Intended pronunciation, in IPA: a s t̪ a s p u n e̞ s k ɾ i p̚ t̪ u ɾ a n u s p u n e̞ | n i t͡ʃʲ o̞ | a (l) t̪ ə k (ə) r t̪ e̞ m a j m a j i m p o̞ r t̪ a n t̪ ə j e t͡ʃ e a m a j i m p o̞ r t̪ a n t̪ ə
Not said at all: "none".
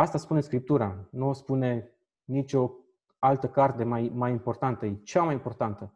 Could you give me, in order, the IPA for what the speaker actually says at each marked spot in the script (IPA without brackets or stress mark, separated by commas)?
l, a